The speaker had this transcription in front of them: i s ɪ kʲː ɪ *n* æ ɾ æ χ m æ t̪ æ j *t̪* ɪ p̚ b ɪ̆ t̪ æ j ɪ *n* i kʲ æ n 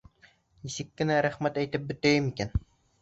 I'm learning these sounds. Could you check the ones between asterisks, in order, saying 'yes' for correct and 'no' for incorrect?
yes, yes, no

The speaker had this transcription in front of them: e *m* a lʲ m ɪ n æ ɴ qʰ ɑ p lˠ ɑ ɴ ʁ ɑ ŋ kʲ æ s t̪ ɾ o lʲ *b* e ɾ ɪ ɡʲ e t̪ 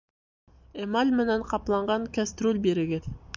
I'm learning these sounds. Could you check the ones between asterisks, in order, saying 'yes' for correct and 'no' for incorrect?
yes, yes

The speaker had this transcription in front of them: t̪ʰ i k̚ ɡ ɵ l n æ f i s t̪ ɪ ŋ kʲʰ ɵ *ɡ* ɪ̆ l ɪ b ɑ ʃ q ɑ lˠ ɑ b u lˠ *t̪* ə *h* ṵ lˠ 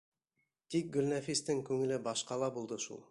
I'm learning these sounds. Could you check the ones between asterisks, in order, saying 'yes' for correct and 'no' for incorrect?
no, no, no

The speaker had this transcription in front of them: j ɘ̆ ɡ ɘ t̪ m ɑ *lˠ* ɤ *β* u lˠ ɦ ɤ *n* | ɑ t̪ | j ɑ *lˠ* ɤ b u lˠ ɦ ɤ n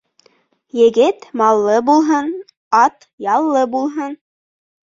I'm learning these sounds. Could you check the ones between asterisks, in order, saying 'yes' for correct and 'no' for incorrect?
no, no, yes, no

